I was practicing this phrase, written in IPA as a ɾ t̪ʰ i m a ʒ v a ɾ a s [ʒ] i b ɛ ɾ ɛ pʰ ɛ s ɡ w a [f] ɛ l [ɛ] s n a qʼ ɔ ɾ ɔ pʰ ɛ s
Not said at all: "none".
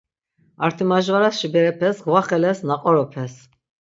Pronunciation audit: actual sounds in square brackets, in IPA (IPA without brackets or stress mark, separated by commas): ʃ, χ, ɛ